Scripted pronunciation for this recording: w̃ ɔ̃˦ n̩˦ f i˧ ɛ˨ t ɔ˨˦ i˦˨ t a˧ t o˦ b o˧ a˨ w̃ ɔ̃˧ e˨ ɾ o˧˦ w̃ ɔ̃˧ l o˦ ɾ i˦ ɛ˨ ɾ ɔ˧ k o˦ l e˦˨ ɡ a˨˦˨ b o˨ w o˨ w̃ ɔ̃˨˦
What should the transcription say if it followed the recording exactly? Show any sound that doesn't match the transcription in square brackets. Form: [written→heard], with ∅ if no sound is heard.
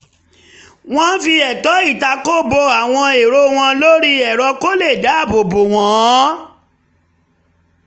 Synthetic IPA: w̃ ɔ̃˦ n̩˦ f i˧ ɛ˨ t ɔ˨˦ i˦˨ t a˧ [t→k] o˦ b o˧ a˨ w̃ ɔ̃˧ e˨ ɾ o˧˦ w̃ ɔ̃˧ l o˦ ɾ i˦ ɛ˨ ɾ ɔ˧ k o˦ l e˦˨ [ɡ→d] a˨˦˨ b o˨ [w→b] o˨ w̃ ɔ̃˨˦